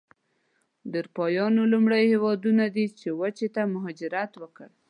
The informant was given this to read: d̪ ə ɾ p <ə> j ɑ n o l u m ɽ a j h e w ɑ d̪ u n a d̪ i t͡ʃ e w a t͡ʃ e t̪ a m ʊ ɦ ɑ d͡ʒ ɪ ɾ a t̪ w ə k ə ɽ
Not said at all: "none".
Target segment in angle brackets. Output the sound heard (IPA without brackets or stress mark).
ɑ